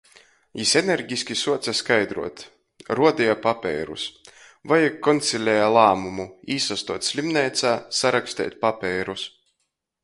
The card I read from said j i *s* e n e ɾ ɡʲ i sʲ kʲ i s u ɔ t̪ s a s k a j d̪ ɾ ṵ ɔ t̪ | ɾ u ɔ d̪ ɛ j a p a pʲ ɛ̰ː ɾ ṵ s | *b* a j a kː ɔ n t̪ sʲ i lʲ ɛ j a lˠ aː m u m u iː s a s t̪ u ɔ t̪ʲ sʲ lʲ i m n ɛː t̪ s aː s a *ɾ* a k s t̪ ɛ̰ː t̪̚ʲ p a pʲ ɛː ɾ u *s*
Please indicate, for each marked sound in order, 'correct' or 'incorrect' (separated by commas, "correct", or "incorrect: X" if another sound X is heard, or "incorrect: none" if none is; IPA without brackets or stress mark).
correct, incorrect: v, correct, correct